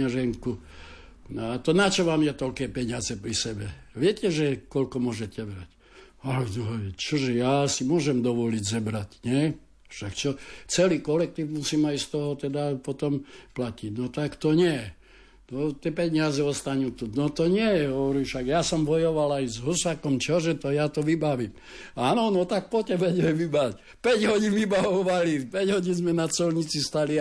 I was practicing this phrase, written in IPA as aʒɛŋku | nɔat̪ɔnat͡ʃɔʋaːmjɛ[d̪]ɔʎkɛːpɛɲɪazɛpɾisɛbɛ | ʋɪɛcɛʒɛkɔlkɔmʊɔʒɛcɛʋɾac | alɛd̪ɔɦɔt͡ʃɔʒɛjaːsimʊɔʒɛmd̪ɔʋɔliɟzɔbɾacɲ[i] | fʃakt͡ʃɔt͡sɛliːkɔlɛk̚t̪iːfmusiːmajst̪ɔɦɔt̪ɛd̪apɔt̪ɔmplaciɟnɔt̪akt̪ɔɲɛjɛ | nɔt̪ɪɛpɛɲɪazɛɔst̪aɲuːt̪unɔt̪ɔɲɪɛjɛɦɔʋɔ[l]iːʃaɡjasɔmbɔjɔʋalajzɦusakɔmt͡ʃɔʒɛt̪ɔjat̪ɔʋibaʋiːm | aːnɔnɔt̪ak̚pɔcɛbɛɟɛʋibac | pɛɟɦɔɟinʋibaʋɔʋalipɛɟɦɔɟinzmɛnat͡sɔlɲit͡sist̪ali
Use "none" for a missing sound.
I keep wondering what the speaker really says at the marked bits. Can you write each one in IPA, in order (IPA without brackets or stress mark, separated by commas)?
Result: t̪, ɛ, ɾ